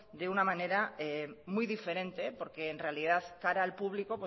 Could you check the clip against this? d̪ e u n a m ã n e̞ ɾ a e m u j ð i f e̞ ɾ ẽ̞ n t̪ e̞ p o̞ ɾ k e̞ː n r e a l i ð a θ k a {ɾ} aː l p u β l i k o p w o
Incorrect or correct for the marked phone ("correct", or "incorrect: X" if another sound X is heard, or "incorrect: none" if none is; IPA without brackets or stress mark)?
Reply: correct